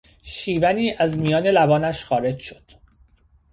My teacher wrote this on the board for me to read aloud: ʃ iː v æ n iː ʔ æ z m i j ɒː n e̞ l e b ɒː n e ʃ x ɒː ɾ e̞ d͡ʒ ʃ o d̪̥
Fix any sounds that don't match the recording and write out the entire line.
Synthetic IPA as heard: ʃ iː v æ n iː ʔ æ z m i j ɒː n e̞ l æ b ɒː n æ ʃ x ɒː ɾ e̞ d͡ʒ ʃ o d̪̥